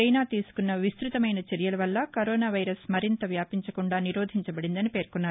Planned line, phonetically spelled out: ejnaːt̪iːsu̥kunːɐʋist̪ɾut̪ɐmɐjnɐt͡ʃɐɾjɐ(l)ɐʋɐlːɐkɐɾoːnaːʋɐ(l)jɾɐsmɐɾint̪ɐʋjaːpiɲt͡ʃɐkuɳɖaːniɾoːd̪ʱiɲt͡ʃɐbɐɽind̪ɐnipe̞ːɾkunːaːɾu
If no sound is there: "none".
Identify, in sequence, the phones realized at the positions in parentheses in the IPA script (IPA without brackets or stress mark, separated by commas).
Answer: l, none